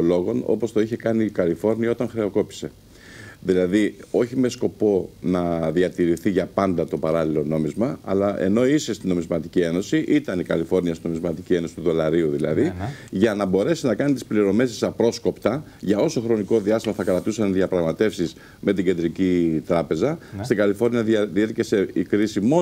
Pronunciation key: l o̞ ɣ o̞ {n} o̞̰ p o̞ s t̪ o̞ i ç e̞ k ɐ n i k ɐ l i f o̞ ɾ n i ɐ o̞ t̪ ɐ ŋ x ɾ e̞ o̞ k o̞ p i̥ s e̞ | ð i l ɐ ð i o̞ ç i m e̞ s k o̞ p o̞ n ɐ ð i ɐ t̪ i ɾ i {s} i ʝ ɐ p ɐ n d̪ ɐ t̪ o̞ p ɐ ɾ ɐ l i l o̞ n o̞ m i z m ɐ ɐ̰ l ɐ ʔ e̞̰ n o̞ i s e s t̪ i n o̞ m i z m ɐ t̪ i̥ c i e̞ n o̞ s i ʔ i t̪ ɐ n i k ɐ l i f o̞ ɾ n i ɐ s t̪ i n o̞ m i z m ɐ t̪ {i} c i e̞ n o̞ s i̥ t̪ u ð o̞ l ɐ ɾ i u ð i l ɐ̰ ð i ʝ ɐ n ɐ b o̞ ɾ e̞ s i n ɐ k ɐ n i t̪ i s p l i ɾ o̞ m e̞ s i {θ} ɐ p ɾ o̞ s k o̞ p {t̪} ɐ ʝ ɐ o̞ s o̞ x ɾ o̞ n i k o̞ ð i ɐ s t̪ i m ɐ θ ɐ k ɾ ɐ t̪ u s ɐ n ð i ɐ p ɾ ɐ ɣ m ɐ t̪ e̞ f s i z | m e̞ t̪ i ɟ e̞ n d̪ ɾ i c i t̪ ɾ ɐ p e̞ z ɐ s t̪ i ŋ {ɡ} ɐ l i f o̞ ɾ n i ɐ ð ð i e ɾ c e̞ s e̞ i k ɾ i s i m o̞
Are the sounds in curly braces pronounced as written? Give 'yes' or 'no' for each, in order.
yes, no, yes, no, yes, yes

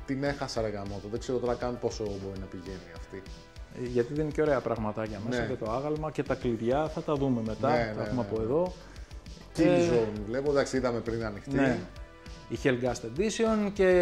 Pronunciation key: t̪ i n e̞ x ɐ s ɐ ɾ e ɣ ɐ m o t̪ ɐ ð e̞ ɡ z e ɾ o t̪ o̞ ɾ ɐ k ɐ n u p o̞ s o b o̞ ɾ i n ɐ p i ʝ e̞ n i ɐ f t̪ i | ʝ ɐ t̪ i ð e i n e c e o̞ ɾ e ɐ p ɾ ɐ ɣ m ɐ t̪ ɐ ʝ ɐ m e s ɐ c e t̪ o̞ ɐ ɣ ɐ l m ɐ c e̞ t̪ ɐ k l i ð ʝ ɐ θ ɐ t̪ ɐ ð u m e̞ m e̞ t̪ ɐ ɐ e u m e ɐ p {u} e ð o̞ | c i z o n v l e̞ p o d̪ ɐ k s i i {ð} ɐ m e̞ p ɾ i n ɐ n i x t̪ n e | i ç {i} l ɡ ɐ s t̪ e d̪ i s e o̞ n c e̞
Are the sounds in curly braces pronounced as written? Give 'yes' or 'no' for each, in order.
no, yes, no

